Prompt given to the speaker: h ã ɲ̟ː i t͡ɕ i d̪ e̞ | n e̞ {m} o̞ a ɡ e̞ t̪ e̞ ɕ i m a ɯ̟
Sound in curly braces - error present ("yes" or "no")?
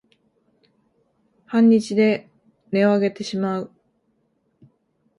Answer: yes